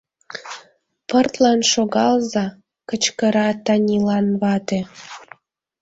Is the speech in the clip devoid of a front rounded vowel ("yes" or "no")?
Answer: yes